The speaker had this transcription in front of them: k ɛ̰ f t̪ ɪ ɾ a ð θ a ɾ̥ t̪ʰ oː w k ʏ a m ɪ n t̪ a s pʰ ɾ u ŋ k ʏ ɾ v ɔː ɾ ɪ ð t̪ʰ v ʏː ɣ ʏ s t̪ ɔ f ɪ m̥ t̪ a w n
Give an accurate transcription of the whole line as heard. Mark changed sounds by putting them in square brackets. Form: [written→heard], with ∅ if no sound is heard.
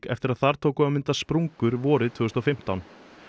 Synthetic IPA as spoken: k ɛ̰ f t̪ ɪ ɾ a ð θ a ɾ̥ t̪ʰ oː w k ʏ a m ɪ n t̪ a s [pʰ→p] ɾ u ŋ k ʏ ɾ v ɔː ɾ ɪ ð t̪ʰ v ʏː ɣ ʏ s t̪ ɔ f ɪ m̥ t̪ a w n

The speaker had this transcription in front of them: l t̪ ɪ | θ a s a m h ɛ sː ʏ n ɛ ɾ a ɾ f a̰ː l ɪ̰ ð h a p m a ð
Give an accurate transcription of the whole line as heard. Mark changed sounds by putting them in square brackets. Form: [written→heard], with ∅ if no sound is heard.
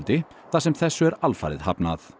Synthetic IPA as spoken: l t̪ ɪ | θ a s [a→ɛ] m [h→θ] ɛ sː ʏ [n→∅] ɛ ɾ a [ɾ→l] f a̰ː [l→ɾ] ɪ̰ ð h a p [m→n] a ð

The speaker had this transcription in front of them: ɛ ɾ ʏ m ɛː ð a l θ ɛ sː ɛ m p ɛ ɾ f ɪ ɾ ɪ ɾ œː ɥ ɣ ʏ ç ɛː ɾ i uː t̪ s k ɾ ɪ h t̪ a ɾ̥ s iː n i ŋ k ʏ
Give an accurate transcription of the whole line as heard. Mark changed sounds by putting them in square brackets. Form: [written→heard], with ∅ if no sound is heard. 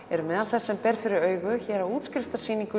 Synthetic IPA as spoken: ɛ ɾ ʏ m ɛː ð a l θ ɛ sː ɛ m p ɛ ɾ f ɪ ɾ ɪ ɾ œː ɥ ɣ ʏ ç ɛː ɾ [i→a] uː t̪ s k ɾ ɪ [h→f] t̪ a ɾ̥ s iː n i ŋ k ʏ

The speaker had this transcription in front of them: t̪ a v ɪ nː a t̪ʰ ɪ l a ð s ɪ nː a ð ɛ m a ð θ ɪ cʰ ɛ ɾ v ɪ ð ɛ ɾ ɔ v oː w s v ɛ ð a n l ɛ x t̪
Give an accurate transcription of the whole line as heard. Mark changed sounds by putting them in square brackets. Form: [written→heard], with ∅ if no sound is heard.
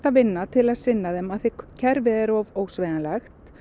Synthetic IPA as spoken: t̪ a v ɪ nː a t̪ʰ ɪ l a ð s ɪ nː a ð ɛ m a ð θ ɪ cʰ ɛ ɾ v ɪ ð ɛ ɾ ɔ v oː w s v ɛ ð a n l ɛ x t̪

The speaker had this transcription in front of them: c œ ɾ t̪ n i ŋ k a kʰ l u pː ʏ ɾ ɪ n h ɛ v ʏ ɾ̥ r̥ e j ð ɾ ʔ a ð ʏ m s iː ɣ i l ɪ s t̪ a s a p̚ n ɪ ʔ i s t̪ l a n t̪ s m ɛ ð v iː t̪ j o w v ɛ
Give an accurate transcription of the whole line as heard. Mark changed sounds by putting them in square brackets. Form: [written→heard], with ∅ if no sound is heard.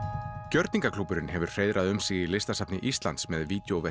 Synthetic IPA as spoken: c œ ɾ t̪ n i ŋ k a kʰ l u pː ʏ ɾ ɪ n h ɛ v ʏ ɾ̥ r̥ e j ð ɾ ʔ a ð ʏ m s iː ɣ i l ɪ s t̪ a s a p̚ n ɪ ʔ i s t̪ l a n t̪ s m ɛ ð v iː t̪ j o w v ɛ

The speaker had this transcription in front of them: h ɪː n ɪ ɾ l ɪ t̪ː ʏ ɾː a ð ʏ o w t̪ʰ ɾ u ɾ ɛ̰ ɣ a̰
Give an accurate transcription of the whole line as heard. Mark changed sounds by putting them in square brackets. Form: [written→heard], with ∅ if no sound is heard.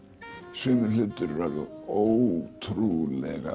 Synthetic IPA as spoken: [h→s] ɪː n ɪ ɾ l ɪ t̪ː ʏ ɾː a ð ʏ o w t̪ʰ ɾ u [ɾ→l] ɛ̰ ɣ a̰

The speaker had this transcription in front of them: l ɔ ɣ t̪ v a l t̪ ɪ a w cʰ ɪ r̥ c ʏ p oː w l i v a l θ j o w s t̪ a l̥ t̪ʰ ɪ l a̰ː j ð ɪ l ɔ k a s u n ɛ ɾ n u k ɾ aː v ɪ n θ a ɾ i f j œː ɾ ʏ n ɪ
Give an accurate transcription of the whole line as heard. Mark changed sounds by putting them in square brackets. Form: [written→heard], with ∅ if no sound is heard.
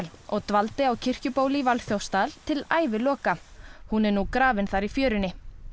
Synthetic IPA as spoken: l ɔ ɣ t̪ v a l t̪ ɪ a w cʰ ɪ r̥ c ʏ p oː w l i v a l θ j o w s t̪ a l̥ t̪ʰ ɪ l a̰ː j [ð→v] ɪ l [ɔ→ɔː] k a [s→h] u n ɛ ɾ n u k ɾ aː v ɪ n θ a ɾ i f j œː ɾ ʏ n ɪ

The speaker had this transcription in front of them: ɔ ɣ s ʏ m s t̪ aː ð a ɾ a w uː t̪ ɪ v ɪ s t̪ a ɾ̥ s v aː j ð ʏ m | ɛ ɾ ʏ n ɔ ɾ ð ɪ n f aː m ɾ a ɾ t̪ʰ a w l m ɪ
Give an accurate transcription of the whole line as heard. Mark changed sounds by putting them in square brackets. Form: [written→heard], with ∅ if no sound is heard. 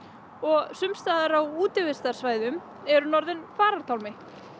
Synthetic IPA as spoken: ɔ ɣ s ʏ m s t̪ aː ð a ɾ a w uː t̪ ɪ v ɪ s t̪ a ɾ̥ s v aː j ð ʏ m | ɛ ɾ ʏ n ɔ ɾ ð ɪ n f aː [m→∅] ɾ a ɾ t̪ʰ a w l m ɪ

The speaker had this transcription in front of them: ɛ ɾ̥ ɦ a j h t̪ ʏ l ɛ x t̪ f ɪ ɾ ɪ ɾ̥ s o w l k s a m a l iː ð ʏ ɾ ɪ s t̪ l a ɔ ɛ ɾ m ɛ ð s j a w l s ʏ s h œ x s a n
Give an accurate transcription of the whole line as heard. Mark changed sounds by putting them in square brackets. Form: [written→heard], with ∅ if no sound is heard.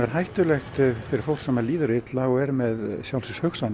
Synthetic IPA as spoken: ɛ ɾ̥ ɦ a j h t̪ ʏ l ɛ x t̪ f ɪ ɾ ɪ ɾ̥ [s→f] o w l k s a m a l iː ð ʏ ɾ ɪ [s→∅] t̪ l a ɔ ɛ ɾ m ɛ ð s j a w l s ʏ s h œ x s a n

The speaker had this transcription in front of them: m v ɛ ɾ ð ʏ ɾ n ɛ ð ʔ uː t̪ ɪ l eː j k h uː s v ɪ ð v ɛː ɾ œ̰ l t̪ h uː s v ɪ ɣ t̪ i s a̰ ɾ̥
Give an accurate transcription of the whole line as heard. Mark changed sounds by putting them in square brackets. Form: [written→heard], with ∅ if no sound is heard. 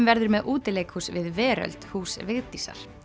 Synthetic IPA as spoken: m v ɛ ɾ ð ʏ ɾ [n→m] ɛ ð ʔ uː t̪ ɪ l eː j k h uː s v ɪ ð v ɛː ɾ œ̰ l t̪ h uː s v ɪ ɣ t̪ i s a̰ ɾ̥

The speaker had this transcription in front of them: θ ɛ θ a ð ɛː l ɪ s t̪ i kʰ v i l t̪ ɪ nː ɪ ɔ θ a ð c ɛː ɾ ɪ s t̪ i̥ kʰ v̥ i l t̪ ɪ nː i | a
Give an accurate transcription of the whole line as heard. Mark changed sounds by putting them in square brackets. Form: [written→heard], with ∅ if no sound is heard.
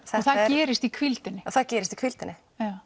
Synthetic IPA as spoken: θ ɛ θ a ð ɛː [l→ɾ] ɪ s t̪ i kʰ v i l t̪ ɪ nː ɪ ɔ θ a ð c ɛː ɾ ɪ s t̪ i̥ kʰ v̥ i l t̪ ɪ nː [i→ɪ] | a

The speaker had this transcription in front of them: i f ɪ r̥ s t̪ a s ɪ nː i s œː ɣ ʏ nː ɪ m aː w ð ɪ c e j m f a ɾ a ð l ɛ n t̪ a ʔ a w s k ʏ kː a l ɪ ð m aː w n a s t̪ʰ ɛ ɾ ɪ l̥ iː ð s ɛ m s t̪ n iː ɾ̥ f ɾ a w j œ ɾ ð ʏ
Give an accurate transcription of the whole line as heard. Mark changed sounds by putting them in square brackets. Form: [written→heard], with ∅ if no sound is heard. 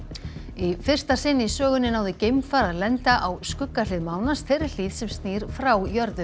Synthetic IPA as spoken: i f ɪ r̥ s t̪ a s ɪ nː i s œː ɣ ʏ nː ɪ [m→n] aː w ð ɪ c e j m f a ɾ a ð l ɛ n t̪ a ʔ a w s k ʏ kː a l ɪ ð m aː w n a s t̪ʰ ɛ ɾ ɪ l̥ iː ð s ɛ m s t̪ n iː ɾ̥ f ɾ a w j œ ɾ ð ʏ

